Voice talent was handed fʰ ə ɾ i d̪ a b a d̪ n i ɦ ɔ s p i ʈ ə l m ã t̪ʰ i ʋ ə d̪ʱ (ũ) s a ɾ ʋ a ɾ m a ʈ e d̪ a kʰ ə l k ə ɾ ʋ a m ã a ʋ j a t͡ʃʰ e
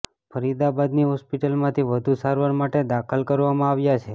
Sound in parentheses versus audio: incorrect: u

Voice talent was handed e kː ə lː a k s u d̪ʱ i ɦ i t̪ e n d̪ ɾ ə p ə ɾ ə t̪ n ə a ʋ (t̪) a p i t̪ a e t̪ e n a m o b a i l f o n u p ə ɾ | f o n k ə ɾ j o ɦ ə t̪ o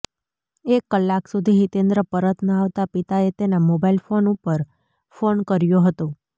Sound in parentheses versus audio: correct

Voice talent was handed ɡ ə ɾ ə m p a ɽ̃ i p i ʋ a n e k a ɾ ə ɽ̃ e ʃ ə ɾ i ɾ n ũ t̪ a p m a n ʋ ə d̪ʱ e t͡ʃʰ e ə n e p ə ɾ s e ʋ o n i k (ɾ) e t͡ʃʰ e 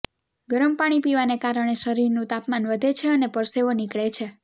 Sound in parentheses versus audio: incorrect: ɭ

